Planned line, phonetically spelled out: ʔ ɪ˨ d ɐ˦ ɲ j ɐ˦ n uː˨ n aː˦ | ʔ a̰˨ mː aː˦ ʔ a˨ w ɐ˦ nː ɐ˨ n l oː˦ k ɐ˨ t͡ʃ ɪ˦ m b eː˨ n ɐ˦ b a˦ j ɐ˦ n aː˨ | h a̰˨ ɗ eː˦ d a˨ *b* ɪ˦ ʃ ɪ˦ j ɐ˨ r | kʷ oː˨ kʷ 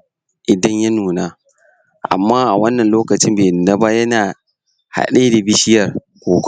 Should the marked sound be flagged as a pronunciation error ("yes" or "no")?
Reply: no